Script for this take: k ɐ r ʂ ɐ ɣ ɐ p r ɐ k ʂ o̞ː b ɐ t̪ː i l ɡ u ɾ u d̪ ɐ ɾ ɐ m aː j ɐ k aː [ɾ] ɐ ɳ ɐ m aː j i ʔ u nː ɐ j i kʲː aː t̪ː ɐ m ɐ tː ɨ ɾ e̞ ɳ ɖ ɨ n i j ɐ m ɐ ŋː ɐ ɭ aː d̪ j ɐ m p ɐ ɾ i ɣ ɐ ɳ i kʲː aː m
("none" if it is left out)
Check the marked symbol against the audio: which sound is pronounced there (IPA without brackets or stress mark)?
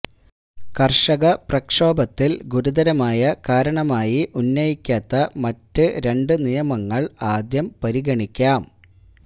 ɾ